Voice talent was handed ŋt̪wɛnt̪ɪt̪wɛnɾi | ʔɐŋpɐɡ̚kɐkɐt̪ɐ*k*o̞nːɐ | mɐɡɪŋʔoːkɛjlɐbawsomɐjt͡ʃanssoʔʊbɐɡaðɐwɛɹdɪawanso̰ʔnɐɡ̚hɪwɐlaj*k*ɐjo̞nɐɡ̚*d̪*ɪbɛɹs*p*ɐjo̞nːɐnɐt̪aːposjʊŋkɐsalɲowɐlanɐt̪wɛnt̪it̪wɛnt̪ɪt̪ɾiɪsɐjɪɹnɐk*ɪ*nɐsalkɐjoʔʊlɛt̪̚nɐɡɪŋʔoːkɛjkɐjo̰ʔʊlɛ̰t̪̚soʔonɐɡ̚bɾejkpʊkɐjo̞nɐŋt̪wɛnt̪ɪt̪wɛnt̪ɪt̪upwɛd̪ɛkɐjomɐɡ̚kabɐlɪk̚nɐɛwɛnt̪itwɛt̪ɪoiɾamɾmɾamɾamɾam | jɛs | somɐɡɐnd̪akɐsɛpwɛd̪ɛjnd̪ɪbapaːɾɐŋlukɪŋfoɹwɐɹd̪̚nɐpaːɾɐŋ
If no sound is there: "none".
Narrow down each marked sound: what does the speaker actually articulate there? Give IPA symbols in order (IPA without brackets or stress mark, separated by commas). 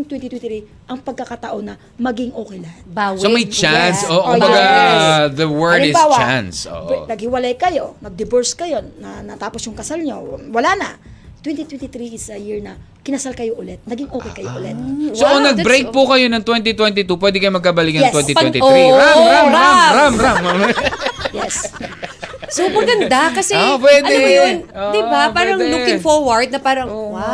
ʔ, k, d̪, k, ɪ